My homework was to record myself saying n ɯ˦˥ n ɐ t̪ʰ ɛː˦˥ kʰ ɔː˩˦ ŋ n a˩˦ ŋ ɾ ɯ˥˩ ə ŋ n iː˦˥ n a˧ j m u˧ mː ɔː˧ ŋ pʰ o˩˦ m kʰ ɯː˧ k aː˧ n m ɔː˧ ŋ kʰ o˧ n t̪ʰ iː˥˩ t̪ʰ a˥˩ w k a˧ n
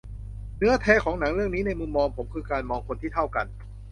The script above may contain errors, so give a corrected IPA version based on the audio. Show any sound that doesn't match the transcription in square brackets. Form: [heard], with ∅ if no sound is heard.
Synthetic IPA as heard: n ɯ˦˥ [∅] ɐ t̪ʰ ɛː˦˥ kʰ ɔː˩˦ ŋ n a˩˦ ŋ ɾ ɯ˥˩ ə ŋ n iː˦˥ n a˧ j m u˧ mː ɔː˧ ŋ pʰ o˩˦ m kʰ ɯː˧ k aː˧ n m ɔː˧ ŋ kʰ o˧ n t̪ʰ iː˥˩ t̪ʰ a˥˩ w k a˧ n